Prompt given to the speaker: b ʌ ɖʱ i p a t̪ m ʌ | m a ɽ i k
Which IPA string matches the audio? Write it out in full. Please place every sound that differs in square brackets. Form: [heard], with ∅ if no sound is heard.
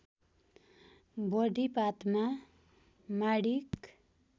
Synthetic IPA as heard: b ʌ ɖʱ i p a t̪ m [a] | m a ɽ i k